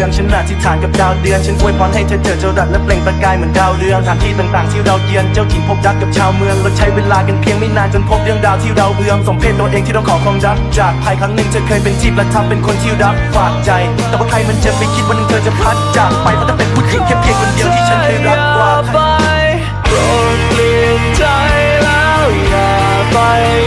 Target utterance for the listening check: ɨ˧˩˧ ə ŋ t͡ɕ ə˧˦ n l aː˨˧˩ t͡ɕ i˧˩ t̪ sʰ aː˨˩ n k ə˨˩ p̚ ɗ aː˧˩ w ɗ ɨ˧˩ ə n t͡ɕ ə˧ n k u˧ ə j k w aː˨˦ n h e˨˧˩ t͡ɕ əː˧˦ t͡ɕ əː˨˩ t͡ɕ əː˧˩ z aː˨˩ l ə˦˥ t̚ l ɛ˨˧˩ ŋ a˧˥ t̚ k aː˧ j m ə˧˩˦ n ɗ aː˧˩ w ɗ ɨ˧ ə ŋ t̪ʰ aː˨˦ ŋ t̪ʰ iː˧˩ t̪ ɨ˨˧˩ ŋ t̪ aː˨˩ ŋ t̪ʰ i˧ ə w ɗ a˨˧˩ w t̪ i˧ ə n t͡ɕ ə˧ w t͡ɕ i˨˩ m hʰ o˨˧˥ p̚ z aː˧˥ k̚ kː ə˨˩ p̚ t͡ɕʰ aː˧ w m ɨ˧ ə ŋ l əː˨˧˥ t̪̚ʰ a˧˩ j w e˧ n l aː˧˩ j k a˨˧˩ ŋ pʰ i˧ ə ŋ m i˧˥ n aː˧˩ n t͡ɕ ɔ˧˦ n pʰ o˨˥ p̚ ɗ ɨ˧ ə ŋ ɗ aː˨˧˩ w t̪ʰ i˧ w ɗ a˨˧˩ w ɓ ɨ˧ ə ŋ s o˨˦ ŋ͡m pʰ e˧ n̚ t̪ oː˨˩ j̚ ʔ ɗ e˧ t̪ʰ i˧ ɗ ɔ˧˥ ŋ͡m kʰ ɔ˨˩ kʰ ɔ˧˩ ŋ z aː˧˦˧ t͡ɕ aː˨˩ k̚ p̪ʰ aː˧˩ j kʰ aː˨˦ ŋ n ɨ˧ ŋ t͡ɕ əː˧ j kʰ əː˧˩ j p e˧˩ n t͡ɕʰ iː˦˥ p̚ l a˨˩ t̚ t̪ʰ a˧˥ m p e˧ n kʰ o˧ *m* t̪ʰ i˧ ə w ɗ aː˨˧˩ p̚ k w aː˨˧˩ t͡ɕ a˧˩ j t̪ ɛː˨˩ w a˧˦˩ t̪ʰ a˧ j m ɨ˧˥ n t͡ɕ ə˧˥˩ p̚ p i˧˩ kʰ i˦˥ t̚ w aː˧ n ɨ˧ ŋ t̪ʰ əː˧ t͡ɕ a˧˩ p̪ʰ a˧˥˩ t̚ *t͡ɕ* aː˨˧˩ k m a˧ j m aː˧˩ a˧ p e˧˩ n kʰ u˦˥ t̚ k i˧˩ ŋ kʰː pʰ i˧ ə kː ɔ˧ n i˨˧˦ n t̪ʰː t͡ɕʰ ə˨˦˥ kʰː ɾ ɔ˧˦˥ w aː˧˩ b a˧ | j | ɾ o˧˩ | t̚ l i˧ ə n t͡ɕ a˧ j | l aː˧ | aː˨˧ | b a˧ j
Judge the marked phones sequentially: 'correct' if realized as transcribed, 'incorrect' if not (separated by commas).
incorrect, correct